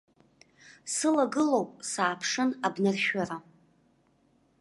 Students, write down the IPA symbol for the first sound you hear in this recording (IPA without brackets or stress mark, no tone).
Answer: s